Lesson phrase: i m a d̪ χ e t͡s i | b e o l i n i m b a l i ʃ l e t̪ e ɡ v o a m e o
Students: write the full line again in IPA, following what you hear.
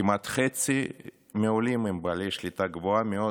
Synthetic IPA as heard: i m a t̪ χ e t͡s i | m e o l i m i m b a l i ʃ l i t̪ a ɡ v o a m e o